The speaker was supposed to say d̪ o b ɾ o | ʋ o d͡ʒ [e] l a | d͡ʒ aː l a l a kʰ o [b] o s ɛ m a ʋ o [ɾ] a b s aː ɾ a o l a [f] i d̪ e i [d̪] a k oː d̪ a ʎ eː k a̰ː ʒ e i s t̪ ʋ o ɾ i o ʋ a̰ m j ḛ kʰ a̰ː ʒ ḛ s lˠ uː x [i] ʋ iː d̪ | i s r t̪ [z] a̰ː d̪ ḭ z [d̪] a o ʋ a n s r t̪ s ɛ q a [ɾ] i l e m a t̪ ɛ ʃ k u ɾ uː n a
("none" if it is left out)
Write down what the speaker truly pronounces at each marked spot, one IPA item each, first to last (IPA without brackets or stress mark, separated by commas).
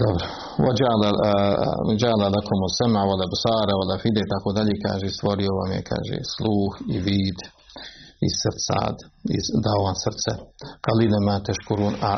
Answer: a, m, l, f, t̪, i, s, d̪, l